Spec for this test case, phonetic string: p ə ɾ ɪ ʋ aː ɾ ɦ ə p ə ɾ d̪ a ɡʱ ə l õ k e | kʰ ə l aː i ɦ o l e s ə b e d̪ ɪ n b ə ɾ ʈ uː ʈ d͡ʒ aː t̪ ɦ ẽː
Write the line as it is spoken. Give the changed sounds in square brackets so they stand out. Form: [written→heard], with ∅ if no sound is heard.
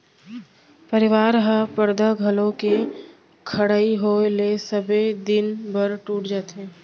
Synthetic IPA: p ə ɾ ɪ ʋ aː ɾ ɦ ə p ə ɾ d̪ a ɡʱ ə l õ k e | kʰ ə [l→ɽ] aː i ɦ o l e s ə b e d̪ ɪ n b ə ɾ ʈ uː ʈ d͡ʒ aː t̪ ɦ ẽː